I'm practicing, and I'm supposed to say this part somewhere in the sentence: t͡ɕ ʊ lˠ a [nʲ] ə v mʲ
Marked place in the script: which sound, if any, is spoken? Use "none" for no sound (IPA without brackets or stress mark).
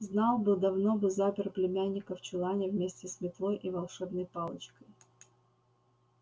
nʲ